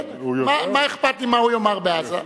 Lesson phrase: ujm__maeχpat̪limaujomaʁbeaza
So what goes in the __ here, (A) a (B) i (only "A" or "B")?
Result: A